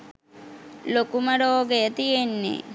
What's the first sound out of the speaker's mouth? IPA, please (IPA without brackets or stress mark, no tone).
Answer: l